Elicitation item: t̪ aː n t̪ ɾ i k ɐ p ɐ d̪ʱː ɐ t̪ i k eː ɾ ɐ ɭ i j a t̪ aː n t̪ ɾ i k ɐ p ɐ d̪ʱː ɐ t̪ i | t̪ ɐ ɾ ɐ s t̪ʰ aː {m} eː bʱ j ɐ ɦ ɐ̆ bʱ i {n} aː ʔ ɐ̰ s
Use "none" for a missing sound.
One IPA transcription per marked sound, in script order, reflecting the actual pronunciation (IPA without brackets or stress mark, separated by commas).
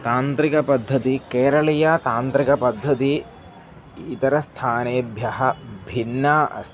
n, nː